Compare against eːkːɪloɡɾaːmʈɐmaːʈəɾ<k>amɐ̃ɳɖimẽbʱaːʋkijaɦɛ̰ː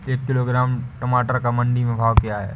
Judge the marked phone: correct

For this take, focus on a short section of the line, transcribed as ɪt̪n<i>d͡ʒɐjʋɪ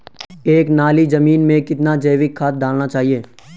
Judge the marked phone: incorrect: a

